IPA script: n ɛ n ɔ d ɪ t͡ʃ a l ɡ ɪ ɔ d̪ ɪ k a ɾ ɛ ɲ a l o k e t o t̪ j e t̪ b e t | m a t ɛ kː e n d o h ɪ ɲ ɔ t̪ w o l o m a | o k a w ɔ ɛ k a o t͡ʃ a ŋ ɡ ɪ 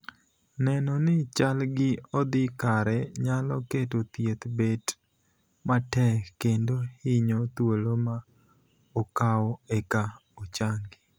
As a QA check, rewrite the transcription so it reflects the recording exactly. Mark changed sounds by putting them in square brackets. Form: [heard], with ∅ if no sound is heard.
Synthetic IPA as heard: n ɛ n ɔ [n] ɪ t͡ʃ a l ɡ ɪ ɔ d̪ ɪ k a ɾ ɛ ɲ a l [ɔ] k e t o t̪ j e t̪ b e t | m a t ɛ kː e n d o h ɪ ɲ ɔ t̪ w o l o m a | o k a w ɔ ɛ k a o t͡ʃ a ŋ ɡ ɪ